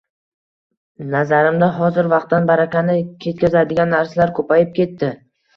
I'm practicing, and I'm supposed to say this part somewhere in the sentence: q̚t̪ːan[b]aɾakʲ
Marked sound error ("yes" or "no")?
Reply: no